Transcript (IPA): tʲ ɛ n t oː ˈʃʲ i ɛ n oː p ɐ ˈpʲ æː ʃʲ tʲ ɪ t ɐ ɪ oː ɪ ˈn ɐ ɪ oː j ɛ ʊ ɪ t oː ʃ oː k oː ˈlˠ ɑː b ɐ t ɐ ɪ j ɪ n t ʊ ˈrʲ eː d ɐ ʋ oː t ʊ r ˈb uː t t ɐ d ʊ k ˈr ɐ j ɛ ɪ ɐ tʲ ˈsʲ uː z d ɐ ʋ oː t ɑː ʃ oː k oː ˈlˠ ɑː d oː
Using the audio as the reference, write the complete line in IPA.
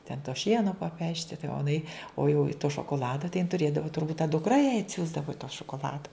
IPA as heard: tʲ ɛ n t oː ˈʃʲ i ɛ n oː p ɐ ˈpʲ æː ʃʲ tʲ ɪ t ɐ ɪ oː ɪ ˈn ɐ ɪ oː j ɛ ʊ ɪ t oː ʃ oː k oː ˈlˠ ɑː d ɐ t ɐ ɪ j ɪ n t ʊ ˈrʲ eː d ɐ ʋ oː t ʊ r ˈb uː t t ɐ d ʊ k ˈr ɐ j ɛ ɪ ɐ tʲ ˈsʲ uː z d ɐ ʋ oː t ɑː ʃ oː k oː ˈlˠ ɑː d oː